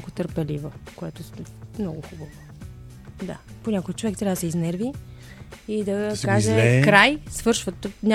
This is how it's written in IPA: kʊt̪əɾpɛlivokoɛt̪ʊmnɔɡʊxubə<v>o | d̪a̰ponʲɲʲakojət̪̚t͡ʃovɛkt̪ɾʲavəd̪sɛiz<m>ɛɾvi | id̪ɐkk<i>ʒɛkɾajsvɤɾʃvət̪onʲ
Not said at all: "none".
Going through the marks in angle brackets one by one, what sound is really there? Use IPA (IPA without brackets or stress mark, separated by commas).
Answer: v, n, a